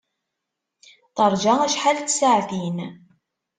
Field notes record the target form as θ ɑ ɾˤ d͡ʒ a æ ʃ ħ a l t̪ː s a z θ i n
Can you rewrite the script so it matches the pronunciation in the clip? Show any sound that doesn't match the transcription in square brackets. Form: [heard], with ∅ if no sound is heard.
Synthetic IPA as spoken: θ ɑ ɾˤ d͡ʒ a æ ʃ ħ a l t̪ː s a [ʕ] θ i n